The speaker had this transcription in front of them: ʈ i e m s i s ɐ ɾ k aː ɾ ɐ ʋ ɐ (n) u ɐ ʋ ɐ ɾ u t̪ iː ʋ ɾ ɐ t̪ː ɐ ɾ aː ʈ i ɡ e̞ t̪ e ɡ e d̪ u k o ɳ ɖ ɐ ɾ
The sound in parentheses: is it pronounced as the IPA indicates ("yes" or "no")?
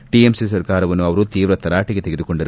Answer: no